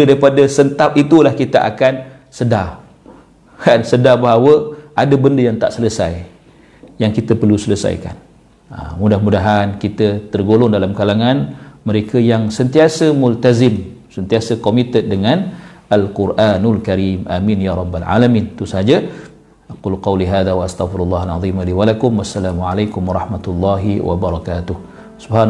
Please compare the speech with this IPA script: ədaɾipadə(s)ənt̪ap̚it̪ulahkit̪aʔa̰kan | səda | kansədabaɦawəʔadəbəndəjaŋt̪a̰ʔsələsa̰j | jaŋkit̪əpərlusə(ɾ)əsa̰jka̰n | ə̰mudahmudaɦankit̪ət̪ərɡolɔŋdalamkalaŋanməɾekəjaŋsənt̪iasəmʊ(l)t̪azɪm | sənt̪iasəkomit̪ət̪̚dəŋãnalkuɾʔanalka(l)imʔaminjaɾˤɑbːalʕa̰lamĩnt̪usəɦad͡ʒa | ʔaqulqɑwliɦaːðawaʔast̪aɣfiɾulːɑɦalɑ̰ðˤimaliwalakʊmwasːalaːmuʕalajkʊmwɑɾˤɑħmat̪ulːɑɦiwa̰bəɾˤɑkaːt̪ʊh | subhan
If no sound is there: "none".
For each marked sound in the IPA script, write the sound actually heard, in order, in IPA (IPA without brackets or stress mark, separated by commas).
s, l, l, ɾ